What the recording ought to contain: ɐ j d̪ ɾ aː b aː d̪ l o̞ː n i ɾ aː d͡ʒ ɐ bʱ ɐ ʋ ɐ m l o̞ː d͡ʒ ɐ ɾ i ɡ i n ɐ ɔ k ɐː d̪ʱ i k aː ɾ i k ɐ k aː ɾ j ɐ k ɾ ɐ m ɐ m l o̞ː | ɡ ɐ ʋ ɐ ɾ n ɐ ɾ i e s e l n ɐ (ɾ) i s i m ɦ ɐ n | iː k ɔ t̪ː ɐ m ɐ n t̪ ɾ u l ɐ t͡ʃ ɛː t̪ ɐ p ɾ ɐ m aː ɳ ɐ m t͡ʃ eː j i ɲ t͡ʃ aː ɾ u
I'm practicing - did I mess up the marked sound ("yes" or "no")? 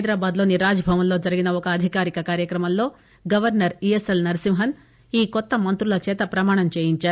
no